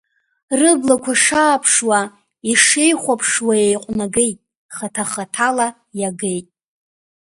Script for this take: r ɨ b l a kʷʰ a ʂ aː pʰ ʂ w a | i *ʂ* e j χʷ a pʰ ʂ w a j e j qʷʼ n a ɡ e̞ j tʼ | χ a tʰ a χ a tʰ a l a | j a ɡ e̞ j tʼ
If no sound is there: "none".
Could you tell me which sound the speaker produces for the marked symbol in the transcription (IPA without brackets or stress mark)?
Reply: ʂ